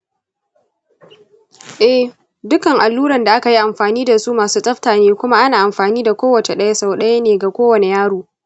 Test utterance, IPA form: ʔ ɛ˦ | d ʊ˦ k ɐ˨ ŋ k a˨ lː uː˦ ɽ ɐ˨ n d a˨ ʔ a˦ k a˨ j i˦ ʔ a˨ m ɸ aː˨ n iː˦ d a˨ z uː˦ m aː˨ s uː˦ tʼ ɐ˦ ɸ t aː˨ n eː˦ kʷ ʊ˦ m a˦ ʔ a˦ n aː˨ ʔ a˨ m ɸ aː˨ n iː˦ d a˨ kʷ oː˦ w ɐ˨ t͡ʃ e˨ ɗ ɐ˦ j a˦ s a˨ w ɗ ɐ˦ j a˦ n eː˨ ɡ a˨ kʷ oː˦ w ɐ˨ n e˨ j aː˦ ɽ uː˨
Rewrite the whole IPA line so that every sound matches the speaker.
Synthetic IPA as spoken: ʔ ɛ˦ | d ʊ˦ k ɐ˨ ŋ ʔ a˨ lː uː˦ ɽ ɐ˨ n d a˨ ʔ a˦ k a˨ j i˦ ʔ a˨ m ɸ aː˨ n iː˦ d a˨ s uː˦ m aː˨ s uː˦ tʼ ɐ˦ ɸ t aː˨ n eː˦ kʷ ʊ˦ m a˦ ʔ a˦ n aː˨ ʔ a˨ m ɸ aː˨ n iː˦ d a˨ kʷ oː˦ w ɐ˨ t͡ʃ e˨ ɗ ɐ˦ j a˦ s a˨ w ɗ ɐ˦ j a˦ n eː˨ ɡ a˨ kʷ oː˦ w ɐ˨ n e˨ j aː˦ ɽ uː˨